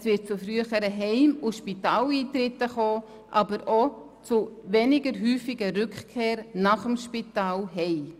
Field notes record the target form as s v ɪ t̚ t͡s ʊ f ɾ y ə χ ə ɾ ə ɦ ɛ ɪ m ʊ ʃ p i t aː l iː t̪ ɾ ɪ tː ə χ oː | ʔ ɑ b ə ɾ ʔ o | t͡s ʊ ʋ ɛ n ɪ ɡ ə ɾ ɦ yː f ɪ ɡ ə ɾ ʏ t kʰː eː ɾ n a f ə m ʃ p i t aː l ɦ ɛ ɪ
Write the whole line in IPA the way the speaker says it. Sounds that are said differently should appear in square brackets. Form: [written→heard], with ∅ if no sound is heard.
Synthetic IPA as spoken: s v ɪ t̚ t͡s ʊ f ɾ y ə χ ə ɾ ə ɦ ɛ ɪ m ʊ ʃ p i t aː l iː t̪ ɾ ɪ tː ə χ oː | ʔ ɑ b ə ɾ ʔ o | t͡s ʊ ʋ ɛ n ɪ ɡ ə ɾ ɦ yː f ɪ ɡ ə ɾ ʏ [t→k] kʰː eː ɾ n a [f→χ] ə m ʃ p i t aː l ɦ ɛ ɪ